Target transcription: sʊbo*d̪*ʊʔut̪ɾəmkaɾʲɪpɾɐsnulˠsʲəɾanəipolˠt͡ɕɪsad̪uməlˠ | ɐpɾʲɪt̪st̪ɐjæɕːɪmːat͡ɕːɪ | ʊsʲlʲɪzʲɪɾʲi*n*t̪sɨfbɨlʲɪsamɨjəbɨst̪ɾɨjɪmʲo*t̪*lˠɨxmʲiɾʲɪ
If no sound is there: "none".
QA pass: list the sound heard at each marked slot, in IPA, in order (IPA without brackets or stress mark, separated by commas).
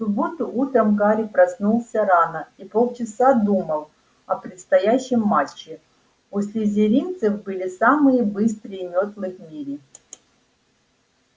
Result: t̪, n, t̪